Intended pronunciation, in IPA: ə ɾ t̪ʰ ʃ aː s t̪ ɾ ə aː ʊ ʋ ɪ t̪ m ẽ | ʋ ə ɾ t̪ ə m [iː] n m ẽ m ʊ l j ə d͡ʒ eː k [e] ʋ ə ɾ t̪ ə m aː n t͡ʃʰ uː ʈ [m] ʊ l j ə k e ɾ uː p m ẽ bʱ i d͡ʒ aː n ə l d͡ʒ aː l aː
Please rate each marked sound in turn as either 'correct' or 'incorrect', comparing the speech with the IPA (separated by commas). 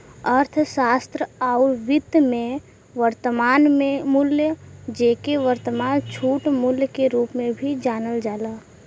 incorrect, correct, correct